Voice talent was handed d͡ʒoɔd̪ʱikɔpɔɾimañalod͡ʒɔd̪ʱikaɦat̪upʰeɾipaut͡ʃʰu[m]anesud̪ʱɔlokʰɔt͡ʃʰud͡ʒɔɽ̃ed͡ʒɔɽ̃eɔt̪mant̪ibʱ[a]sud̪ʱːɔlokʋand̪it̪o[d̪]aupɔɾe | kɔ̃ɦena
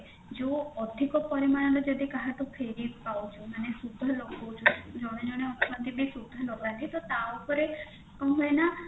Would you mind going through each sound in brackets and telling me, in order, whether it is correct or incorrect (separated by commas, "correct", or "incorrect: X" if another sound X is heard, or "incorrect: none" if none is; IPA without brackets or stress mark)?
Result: correct, incorrect: i, incorrect: t̪